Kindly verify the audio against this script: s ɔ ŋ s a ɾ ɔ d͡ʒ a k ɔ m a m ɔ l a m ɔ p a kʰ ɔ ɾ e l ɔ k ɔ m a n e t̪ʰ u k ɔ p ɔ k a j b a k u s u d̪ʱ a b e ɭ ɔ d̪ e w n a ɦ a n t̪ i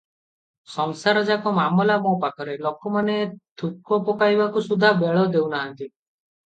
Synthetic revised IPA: s ɔ ŋ s a ɾ ɔ d͡ʒ a k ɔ m a m ɔ l a m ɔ p a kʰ ɔ ɾ e l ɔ k ɔ m a n e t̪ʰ u k ɔ p ɔ k a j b a k u s u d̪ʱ a b e ɭ ɔ d̪ e w n a ɦ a n t̪ i